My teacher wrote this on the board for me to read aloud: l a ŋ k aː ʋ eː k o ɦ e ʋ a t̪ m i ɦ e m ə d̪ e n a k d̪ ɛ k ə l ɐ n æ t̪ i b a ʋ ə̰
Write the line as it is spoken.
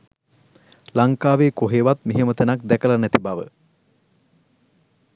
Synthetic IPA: l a ŋ k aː ʋ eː k o ɦ e ʋ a t̪ m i ɦ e m ə t̪ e n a k d̪ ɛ k ə l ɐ n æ t̪ i b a ʋ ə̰